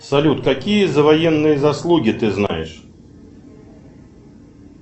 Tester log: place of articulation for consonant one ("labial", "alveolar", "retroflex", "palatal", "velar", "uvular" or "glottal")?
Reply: alveolar